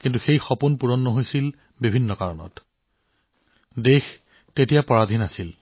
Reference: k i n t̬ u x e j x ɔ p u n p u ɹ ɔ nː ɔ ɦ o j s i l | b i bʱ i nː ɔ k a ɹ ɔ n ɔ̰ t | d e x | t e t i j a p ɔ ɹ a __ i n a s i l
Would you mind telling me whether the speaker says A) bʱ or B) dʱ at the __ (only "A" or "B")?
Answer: B